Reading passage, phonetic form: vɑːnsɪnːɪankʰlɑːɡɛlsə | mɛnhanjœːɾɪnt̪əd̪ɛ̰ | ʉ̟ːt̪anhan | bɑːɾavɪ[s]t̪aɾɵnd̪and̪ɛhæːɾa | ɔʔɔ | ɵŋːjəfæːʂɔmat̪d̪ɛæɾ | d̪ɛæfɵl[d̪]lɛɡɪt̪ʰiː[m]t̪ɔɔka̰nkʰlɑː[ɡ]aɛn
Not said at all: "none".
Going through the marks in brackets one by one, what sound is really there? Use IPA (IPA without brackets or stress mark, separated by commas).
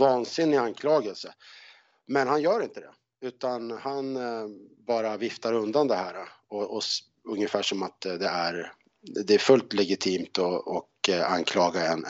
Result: f, t̪, m, ɡ